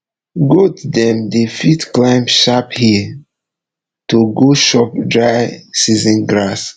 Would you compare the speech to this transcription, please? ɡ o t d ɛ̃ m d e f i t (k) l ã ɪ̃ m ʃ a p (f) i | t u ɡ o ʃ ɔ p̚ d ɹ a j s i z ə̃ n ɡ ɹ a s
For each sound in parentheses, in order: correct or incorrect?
correct, incorrect

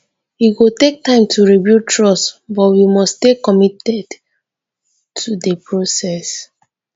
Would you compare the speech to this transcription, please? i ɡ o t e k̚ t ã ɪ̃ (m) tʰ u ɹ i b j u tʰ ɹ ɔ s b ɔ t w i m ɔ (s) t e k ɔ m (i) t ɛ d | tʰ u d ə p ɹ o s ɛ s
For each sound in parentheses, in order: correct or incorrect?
correct, correct, correct

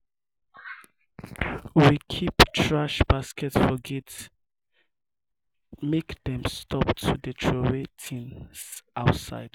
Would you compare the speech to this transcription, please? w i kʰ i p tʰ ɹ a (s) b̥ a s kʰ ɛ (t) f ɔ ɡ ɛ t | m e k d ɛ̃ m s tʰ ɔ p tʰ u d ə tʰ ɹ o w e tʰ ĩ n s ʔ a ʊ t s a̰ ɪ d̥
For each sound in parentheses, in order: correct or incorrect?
incorrect, correct

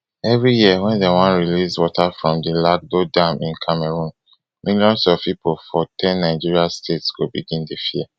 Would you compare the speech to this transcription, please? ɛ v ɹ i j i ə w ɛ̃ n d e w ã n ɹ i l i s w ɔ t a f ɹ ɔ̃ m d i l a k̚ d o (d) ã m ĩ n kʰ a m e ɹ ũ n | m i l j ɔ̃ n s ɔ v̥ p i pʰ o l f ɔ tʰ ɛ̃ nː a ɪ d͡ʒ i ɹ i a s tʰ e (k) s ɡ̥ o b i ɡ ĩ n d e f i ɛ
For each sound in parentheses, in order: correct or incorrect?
correct, incorrect

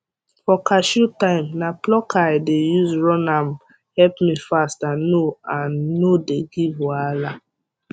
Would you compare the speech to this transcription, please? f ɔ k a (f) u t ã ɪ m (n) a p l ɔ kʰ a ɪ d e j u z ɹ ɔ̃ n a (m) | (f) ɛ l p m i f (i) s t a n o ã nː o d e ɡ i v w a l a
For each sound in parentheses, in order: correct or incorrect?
incorrect, correct, correct, incorrect, incorrect

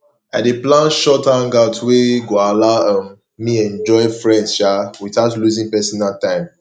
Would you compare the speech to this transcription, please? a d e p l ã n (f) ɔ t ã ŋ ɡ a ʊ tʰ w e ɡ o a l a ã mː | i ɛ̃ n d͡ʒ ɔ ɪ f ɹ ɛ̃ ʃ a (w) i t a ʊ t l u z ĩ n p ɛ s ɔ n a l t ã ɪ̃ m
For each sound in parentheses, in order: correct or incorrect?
incorrect, correct

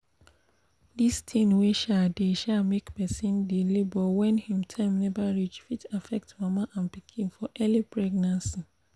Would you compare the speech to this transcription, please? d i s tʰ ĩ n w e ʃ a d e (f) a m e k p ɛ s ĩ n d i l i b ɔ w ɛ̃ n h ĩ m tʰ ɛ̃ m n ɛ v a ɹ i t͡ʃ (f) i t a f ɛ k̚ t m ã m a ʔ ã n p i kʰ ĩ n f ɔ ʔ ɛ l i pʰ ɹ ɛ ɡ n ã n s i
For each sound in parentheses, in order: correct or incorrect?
incorrect, correct

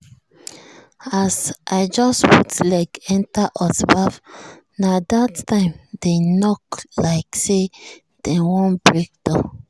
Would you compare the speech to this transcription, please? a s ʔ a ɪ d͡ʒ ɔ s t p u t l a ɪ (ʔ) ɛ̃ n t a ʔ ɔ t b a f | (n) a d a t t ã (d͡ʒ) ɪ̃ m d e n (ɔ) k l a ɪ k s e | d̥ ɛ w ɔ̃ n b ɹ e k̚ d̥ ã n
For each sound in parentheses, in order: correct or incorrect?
incorrect, correct, incorrect, correct

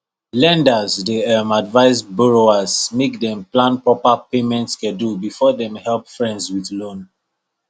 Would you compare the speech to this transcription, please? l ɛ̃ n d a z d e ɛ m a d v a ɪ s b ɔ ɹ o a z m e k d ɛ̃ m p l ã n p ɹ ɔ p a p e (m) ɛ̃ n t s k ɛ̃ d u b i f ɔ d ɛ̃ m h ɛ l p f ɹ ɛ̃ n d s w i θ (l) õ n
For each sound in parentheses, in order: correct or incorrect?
correct, correct

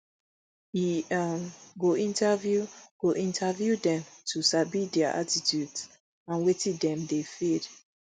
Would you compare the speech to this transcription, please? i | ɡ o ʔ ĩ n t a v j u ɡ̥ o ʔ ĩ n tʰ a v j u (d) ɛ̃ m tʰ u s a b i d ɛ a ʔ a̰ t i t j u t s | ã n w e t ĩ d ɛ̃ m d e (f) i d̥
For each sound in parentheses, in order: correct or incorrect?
correct, correct

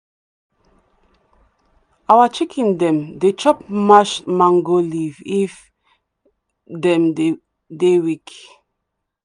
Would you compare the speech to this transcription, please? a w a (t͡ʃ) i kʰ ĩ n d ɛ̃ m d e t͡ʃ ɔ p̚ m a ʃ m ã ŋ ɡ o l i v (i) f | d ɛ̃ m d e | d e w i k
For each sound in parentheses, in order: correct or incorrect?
correct, correct

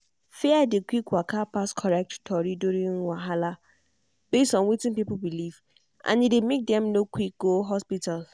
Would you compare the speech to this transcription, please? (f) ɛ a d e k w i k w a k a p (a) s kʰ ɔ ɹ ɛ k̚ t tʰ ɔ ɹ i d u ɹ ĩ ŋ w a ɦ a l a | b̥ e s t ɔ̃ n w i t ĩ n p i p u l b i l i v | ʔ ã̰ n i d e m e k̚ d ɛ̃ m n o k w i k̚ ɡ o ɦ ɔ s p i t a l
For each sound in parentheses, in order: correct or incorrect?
correct, correct

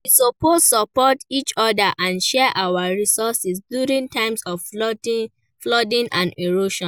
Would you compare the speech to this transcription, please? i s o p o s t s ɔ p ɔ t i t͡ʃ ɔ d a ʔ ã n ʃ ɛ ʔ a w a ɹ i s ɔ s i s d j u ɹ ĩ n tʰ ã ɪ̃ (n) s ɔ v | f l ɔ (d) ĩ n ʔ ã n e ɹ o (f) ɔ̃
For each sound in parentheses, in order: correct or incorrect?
incorrect, correct, incorrect

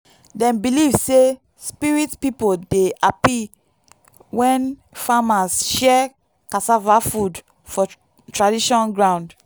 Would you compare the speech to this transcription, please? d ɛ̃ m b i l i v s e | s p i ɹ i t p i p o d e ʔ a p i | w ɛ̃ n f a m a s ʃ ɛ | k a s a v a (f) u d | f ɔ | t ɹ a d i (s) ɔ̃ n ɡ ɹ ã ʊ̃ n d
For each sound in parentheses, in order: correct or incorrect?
correct, incorrect

